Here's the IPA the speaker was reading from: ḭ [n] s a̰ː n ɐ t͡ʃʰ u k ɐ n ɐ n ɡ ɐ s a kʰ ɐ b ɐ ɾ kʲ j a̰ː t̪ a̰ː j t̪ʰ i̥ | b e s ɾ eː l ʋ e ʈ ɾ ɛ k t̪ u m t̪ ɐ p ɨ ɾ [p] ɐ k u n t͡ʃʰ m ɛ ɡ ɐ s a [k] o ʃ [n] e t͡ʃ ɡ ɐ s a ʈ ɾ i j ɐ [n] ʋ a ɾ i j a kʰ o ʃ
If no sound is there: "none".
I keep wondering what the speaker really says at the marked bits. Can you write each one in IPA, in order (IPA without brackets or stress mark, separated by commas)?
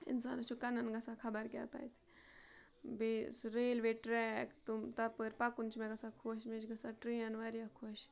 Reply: n, p, kʰ, m, n